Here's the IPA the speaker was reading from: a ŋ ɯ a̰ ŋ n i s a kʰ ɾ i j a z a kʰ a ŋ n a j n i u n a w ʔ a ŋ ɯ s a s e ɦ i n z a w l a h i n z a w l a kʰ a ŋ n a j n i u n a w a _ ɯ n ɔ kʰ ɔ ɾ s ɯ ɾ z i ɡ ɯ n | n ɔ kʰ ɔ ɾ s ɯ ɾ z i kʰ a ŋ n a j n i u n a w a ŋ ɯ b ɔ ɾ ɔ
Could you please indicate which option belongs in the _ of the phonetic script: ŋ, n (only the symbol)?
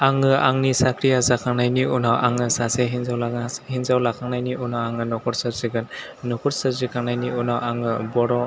ŋ